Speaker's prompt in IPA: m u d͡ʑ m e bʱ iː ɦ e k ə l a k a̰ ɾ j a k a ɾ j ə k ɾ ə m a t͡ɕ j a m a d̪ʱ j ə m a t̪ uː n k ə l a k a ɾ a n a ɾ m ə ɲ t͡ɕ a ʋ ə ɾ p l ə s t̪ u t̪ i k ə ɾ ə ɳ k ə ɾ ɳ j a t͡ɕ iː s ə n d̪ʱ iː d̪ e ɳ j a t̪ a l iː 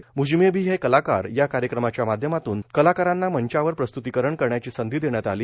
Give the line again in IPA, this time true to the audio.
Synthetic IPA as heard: m u d͡ʑ m e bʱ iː ɦ e k ə l a k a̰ ɾ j a k a ɾ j ə k ɾ ə m a t͡ɕ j a m a d̪ʱ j ə m a t̪ uː n k ə l a k a ɾ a nː a m ə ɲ t͡ɕ a ʋ ə ɾ p ɾ ə s t̪ u t̪ i k ə ɾ ə ɳ k ə ɾ ɳ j a t͡ɕ iː s ə n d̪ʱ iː d̪ e ɳ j a t̪ a l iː